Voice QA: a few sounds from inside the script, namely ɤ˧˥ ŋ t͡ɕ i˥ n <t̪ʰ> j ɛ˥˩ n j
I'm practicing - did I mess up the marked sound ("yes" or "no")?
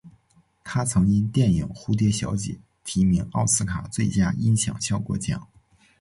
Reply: yes